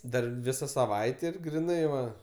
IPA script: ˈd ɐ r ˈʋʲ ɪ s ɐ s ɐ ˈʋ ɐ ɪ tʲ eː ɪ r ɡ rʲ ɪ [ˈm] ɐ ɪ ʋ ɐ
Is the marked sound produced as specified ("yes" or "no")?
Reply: no